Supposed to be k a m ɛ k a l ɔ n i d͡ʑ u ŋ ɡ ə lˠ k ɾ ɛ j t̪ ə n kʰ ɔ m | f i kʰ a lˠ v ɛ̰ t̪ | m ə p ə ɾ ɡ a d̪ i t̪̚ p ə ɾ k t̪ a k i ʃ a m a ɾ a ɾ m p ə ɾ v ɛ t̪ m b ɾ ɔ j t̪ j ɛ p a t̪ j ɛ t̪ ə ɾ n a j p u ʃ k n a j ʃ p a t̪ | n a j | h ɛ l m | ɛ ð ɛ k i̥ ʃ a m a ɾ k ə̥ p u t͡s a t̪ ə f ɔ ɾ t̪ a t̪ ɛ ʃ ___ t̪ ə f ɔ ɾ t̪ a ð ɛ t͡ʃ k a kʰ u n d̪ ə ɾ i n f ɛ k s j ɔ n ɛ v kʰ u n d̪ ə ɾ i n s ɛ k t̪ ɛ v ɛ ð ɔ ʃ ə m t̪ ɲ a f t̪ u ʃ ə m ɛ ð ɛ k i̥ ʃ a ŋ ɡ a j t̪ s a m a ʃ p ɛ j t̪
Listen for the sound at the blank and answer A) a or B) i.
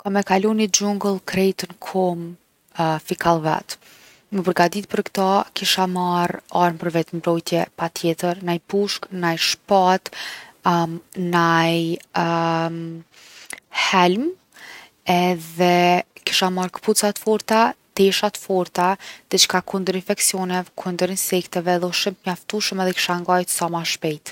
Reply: A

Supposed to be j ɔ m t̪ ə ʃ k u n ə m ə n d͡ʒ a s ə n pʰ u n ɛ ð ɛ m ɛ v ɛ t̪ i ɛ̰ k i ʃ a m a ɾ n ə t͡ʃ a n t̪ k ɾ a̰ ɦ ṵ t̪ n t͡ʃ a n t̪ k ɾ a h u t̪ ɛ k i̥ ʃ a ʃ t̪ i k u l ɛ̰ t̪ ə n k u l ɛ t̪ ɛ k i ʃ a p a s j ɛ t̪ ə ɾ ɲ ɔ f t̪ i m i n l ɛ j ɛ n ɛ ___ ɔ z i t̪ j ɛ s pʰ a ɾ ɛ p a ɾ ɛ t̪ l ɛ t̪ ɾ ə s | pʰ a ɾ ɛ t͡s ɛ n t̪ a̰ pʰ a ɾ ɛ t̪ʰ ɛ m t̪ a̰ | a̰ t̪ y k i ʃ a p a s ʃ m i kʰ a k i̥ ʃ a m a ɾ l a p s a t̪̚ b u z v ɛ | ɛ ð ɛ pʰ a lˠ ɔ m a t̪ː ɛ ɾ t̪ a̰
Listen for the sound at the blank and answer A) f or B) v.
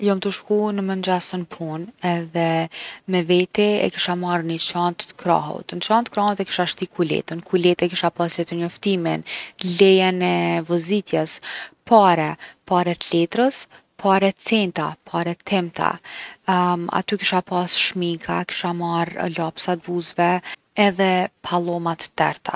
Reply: B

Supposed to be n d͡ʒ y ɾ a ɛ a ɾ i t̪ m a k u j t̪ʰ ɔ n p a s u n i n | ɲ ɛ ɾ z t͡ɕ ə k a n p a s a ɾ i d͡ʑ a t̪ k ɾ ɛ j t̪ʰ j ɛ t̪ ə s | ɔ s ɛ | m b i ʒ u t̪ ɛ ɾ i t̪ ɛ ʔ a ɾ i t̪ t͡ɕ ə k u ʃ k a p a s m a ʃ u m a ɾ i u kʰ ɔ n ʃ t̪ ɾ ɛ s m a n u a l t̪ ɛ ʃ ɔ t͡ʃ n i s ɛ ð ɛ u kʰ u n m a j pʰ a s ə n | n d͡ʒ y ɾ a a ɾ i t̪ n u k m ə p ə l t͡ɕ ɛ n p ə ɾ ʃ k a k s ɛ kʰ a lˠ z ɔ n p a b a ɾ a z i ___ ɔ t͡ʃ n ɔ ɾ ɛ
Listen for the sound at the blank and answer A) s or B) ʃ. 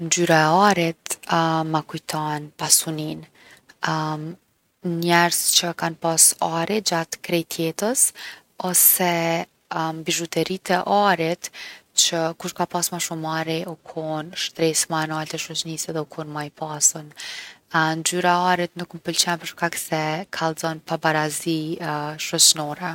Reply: B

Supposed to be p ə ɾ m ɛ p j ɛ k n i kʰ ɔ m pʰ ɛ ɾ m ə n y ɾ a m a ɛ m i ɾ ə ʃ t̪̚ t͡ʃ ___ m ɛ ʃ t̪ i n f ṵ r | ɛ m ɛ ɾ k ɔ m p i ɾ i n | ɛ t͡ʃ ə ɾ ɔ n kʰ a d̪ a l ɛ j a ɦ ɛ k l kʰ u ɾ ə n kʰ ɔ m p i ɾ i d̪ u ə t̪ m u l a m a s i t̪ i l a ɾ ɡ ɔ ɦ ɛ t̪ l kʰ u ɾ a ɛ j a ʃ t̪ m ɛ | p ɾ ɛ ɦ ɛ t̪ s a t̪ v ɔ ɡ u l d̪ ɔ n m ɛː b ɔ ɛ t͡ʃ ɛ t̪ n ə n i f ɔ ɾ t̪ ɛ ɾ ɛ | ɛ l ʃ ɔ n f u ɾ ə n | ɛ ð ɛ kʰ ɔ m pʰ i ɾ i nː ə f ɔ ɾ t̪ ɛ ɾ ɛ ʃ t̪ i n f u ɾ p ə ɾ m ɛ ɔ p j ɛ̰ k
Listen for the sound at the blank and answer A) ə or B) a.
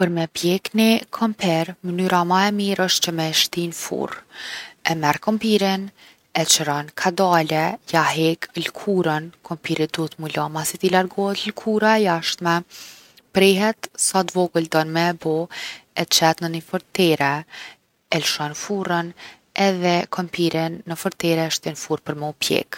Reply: A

